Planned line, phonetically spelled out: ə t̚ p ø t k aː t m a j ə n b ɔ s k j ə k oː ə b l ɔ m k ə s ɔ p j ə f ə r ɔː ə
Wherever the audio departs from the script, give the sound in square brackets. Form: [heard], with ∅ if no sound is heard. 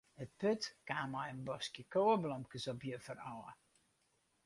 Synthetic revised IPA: ə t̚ p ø t k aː [∅] m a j ə n b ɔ s k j ə k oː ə b l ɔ m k ə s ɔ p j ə f ə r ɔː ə